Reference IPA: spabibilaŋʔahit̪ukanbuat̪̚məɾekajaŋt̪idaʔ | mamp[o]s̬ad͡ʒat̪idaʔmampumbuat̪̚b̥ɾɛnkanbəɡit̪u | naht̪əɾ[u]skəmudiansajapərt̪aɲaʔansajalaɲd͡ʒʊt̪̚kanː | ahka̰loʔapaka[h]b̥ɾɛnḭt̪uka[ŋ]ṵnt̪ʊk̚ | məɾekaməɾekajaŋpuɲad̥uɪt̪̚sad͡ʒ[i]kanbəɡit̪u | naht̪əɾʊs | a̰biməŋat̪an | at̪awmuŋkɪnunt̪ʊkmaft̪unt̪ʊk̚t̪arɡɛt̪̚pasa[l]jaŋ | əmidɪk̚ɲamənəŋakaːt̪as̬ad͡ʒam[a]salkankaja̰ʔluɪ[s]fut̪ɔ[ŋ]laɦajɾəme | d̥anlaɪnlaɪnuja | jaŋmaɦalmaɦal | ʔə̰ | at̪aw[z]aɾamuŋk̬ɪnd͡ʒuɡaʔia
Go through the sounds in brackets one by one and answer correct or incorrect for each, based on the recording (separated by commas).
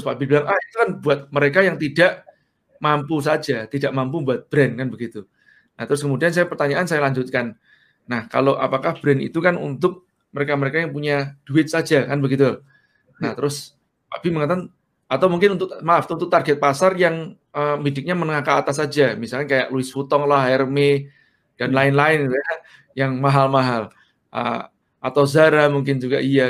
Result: incorrect, incorrect, correct, incorrect, incorrect, incorrect, incorrect, correct, correct, correct